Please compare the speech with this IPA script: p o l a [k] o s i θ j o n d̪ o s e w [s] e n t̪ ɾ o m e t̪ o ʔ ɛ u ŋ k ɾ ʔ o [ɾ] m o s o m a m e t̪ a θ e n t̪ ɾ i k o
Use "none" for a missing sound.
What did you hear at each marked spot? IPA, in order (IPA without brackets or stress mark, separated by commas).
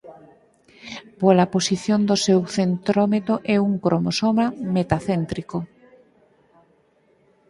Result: p, θ, none